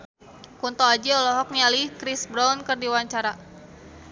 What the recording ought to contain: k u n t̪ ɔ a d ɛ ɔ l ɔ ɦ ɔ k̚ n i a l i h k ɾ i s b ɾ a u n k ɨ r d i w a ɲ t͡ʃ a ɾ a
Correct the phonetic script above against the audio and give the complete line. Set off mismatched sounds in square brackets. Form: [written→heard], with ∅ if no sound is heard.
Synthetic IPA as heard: k u n t̪ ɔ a [d→d͡ʒ] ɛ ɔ l ɔ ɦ ɔ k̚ n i a l i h k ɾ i s b ɾ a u n k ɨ r d i w a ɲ t͡ʃ a ɾ a